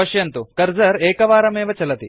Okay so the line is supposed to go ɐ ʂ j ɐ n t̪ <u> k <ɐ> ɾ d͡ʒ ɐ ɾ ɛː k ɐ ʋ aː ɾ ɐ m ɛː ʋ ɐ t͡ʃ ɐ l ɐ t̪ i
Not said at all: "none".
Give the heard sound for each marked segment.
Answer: u, ɐ

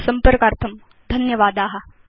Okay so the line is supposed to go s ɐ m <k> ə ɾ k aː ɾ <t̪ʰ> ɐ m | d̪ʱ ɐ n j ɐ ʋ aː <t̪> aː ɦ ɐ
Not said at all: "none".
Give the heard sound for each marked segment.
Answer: p, t̪ʰ, d̪

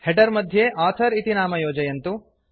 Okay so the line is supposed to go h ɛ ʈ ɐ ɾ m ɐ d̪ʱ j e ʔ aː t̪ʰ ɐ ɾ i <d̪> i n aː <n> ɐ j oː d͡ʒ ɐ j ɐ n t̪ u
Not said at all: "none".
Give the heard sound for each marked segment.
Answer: t̪, m

